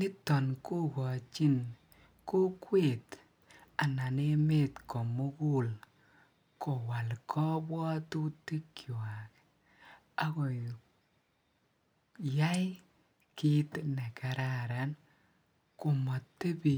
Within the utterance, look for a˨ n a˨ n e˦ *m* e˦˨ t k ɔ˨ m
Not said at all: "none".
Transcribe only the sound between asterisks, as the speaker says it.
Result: m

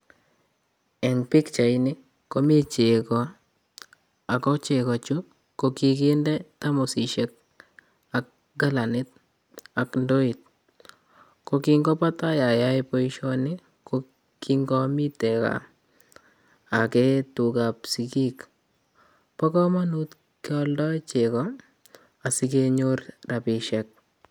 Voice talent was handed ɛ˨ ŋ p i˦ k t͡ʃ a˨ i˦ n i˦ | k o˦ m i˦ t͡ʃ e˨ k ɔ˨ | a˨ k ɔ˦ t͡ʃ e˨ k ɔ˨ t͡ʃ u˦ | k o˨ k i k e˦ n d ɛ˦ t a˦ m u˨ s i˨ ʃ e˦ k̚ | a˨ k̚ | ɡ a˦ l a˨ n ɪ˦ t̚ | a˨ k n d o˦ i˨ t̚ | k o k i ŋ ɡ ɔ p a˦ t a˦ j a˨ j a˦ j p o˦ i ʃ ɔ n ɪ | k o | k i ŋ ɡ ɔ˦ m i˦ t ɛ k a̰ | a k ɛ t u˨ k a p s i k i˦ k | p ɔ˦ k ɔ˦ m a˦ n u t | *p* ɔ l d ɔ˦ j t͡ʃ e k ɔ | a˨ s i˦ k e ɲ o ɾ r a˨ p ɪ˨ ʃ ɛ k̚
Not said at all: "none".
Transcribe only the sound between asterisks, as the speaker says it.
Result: k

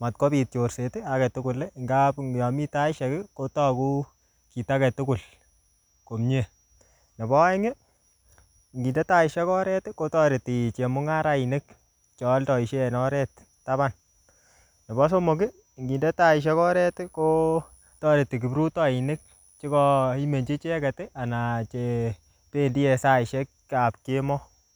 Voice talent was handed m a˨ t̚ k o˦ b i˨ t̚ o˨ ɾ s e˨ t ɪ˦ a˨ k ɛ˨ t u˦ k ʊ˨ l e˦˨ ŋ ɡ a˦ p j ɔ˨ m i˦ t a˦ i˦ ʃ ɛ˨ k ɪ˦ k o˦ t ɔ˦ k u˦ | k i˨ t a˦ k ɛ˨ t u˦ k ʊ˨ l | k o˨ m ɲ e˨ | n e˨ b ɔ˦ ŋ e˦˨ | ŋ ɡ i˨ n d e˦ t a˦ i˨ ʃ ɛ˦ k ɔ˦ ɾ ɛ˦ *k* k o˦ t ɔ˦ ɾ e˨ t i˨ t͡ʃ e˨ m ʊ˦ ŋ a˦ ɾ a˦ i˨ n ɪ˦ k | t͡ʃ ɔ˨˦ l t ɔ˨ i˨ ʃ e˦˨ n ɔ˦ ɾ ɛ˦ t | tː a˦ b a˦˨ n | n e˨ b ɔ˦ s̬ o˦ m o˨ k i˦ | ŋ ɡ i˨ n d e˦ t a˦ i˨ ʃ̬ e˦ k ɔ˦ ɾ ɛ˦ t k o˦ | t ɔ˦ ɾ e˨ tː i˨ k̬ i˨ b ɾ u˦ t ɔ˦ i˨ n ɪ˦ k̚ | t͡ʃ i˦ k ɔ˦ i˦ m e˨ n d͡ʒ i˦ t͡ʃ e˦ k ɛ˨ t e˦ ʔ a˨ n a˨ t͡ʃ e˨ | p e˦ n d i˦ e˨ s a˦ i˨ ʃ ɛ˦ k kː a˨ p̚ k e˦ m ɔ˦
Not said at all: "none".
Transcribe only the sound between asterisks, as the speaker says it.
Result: t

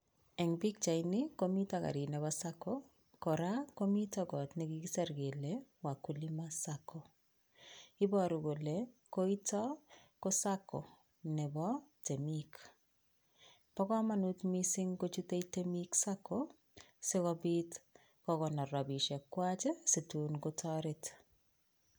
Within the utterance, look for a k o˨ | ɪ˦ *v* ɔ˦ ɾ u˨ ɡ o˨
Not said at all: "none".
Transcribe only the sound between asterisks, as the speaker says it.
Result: b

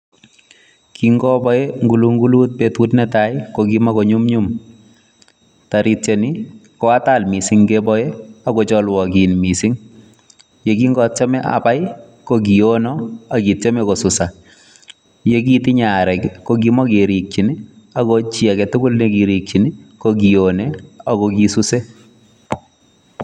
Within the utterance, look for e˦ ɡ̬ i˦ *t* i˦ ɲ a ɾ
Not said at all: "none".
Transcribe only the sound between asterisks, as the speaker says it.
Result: t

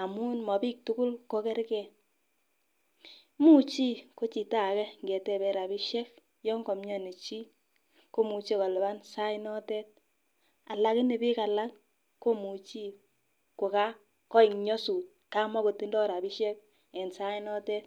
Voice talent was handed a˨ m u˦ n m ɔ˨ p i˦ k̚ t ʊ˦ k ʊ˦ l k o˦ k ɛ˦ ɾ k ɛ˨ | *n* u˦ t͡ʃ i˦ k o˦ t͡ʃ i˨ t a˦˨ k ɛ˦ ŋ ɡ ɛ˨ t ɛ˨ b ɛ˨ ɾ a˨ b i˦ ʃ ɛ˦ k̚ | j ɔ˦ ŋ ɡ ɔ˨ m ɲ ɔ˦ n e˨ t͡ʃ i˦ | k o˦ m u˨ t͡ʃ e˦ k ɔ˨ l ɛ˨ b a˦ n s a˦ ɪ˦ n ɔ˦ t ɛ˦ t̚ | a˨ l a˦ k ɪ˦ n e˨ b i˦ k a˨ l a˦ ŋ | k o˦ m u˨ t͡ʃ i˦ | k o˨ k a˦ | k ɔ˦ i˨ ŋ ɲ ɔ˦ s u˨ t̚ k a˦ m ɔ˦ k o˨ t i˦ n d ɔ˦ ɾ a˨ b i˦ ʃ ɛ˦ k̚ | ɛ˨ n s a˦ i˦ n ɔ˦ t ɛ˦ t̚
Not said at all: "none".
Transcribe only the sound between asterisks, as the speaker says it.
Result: m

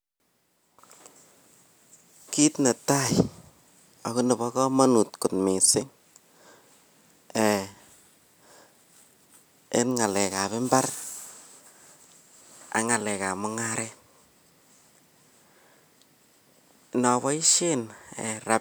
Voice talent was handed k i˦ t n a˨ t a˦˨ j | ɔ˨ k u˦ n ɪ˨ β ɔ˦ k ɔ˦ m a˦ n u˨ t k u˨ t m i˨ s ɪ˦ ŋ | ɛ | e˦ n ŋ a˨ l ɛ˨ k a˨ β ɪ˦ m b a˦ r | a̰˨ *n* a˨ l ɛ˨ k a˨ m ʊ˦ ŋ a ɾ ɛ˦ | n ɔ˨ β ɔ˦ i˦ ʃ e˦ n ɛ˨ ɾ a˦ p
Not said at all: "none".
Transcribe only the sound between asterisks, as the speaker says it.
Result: ŋ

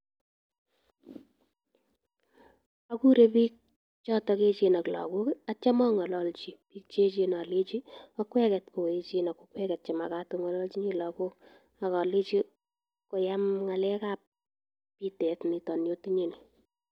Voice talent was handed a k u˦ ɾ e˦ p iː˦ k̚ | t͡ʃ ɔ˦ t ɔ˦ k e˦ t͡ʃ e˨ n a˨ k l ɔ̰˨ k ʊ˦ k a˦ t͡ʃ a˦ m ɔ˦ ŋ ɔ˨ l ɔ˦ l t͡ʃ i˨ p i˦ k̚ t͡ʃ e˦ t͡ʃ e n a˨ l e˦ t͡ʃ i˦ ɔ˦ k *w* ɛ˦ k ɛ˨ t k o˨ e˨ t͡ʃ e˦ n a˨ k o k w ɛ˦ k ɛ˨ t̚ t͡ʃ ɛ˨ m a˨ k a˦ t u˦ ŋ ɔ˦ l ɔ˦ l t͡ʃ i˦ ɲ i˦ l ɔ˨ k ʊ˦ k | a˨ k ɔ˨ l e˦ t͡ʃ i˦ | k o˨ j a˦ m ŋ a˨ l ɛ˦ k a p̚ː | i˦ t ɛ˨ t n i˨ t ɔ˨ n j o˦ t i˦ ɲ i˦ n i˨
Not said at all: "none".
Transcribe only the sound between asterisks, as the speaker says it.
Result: w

